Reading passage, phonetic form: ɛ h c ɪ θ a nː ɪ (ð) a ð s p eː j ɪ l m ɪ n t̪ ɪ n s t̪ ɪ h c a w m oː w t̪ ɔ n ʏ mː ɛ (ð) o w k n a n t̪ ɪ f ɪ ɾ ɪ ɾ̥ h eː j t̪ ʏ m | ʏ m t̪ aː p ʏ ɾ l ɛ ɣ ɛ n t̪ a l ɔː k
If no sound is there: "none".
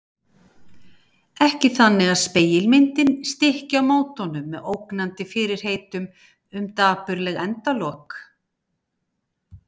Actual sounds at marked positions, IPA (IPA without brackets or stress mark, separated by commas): ɣ, ð